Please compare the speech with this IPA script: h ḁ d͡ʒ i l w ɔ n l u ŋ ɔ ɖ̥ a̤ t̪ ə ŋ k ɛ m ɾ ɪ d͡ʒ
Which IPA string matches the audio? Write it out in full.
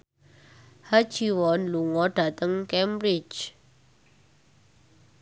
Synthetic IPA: h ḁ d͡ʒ i w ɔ n l u ŋ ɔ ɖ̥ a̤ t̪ ə ŋ k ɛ m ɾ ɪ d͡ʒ